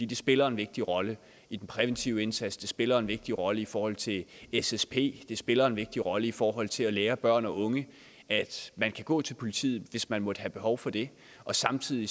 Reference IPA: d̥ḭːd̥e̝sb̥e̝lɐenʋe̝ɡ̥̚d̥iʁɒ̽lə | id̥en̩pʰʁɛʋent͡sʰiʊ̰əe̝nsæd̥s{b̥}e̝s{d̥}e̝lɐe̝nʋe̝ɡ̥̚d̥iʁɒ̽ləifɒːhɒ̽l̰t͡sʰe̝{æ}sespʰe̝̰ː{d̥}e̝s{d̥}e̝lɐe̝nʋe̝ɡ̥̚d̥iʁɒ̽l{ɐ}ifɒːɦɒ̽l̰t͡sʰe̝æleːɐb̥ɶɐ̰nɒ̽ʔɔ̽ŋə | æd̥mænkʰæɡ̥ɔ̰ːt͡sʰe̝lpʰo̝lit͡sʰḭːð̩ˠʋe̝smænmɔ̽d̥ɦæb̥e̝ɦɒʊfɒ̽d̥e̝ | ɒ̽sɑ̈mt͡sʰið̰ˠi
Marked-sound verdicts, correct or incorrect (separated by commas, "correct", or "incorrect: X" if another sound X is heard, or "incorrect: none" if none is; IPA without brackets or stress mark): incorrect: d̥, incorrect: b̥, incorrect: e, correct, incorrect: b̥, incorrect: ə